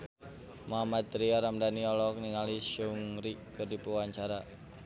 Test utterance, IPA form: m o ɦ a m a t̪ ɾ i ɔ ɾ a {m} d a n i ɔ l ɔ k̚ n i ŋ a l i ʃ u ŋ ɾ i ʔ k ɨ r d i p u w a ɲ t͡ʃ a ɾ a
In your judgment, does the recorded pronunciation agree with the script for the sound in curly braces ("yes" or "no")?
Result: yes